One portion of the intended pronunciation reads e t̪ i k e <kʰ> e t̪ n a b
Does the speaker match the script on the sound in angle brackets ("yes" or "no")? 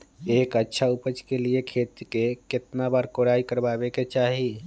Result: no